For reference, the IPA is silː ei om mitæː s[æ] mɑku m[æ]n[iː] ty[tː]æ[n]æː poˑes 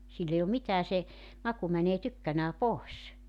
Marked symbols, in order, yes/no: no, yes, no, no, yes

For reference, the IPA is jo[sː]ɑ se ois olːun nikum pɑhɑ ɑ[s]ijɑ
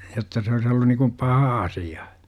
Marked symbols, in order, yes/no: no, yes

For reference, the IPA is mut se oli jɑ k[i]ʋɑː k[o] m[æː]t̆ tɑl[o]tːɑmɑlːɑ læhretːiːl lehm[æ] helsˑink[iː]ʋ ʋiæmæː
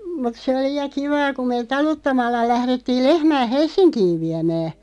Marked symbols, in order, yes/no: yes, no, no, no, no, yes

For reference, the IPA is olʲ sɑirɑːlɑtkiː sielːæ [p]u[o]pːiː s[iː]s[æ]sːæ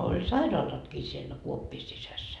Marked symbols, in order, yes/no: no, yes, no, yes

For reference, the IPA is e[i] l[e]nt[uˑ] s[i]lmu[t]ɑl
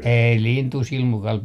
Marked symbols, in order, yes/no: yes, no, yes, yes, no

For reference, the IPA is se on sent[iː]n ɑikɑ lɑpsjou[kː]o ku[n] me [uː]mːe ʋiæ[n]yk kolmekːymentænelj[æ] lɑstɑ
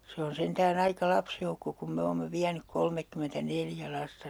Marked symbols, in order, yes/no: no, yes, no, no, yes, yes

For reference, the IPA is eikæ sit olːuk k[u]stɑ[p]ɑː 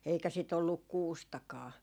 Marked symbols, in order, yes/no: no, no

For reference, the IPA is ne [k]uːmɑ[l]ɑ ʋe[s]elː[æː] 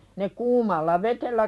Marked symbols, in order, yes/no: yes, no, no, no

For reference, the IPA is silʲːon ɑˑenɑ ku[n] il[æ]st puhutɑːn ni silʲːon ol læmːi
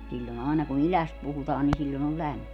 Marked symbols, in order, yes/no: yes, yes

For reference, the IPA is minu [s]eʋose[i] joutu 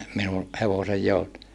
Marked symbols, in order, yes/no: no, no

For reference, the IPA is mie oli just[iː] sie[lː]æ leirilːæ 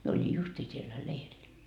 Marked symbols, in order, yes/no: yes, yes

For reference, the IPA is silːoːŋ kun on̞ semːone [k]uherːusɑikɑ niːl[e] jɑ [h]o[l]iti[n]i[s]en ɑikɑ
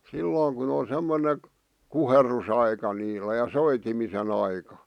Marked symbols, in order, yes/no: yes, no, no, no, no, yes

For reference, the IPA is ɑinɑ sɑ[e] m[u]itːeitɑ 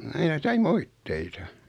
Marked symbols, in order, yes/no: no, no

